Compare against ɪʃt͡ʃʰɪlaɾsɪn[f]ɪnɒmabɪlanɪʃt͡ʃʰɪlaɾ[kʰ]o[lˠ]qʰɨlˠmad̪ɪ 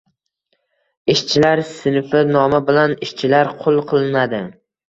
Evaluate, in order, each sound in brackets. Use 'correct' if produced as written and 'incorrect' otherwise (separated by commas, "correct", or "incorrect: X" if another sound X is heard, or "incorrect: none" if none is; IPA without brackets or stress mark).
correct, incorrect: qʰ, correct